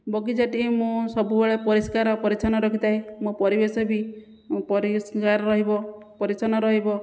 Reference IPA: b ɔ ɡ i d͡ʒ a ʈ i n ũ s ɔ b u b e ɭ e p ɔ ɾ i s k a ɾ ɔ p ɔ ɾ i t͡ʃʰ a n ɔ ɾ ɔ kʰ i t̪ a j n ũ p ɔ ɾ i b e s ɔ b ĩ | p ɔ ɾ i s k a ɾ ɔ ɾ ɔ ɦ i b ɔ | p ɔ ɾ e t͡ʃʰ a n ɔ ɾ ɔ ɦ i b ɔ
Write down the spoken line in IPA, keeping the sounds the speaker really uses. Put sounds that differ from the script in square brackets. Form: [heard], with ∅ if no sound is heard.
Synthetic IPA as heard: b ɔ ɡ i d͡ʒ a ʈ i [m] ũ s ɔ b u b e ɭ e p ɔ ɾ i s k a ɾ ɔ p ɔ ɾ i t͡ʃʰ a n ɔ ɾ ɔ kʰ i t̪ a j [m] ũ p ɔ ɾ i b e s ɔ b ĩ | p ɔ ɾ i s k a ɾ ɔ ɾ ɔ ɦ i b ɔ | p ɔ ɾ [i] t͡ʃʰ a n ɔ ɾ ɔ ɦ i b ɔ